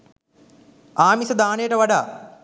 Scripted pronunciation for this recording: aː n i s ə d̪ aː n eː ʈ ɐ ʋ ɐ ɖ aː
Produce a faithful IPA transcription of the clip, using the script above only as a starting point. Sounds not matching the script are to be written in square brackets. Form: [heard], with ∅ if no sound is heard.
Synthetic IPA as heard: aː [m] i s [ɐ] d̪ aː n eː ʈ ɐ ʋ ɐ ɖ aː